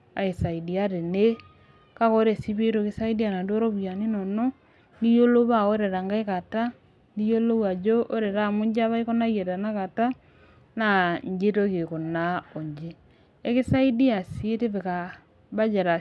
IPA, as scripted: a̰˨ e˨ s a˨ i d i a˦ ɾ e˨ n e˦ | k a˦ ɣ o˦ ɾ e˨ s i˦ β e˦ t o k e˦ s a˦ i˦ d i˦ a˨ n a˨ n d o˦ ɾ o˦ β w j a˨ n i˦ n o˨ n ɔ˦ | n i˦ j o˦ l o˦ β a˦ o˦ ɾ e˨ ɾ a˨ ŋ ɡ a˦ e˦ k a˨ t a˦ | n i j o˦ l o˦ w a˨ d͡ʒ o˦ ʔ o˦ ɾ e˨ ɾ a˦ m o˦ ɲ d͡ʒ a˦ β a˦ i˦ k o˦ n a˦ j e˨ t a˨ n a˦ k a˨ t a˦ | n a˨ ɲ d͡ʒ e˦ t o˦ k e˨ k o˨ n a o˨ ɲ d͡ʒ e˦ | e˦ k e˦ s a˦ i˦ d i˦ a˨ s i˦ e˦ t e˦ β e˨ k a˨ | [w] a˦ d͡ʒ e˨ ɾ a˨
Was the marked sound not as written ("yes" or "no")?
yes